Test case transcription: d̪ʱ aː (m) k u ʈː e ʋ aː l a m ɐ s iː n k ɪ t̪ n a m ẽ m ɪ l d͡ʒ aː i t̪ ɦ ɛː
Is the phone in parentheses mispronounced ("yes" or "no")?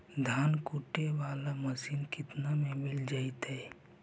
yes